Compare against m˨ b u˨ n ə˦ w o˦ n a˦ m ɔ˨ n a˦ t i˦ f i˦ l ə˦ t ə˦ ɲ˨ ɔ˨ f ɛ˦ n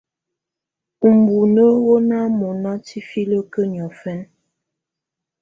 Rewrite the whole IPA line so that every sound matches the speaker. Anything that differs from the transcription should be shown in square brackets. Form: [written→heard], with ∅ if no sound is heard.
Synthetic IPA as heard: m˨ b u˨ n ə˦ w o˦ n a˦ m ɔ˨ n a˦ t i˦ f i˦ l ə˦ [t→k] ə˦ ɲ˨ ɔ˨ f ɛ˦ n